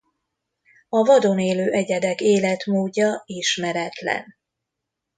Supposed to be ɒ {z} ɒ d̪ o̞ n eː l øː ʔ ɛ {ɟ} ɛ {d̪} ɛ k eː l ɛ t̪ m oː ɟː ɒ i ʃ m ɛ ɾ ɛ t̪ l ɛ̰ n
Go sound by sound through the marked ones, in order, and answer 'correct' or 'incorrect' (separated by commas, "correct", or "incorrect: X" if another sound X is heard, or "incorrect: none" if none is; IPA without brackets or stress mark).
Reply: incorrect: v, correct, correct